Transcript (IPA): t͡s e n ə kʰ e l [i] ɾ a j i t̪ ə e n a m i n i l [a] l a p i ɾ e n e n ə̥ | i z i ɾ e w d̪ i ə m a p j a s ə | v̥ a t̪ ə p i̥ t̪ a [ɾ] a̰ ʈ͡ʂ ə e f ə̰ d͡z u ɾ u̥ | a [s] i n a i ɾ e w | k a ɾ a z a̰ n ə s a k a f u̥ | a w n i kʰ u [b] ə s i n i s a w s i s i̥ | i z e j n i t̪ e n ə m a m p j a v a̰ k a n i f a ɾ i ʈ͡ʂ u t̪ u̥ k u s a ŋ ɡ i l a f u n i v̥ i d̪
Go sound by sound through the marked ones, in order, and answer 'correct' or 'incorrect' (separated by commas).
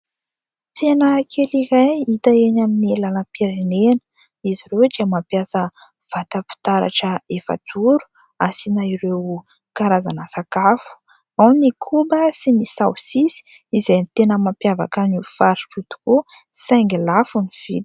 correct, correct, correct, correct, correct